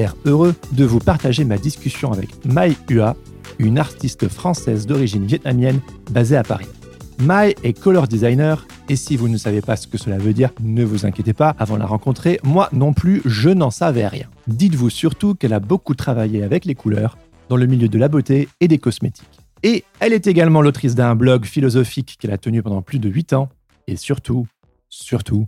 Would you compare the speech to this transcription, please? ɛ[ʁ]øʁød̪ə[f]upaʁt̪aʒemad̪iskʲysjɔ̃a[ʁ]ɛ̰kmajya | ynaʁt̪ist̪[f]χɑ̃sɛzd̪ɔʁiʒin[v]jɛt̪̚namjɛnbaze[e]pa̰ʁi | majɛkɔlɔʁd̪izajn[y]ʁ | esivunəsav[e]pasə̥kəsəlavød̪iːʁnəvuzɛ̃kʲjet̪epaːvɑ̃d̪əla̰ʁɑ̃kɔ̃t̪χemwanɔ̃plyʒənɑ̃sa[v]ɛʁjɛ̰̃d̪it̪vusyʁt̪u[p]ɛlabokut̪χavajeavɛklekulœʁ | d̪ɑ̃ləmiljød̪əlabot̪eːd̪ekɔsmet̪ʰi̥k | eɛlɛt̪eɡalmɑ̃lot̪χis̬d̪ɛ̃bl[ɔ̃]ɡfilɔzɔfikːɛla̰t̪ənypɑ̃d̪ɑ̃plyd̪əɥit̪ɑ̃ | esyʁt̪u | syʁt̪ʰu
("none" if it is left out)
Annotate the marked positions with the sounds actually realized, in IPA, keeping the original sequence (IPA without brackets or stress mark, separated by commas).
ʁ, v, v, f, v, a, œ, e, v, k, ɔ